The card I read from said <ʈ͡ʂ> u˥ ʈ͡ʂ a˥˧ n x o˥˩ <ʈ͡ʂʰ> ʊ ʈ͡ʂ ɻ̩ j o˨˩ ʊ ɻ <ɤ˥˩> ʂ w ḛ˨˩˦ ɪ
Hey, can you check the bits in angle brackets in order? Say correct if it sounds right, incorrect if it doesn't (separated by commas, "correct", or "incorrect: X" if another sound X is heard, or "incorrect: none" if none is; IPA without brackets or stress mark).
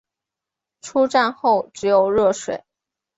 incorrect: ʈ͡ʂʰ, incorrect: none, correct